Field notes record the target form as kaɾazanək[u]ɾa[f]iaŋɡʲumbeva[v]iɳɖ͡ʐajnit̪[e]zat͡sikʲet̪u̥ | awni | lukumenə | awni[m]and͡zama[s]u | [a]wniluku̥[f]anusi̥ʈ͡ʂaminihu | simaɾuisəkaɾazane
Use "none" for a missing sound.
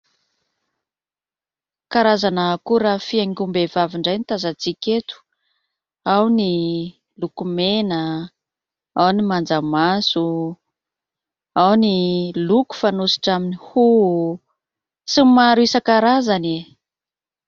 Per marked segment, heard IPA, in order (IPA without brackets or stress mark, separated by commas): u, f, v, a, m, s, a, f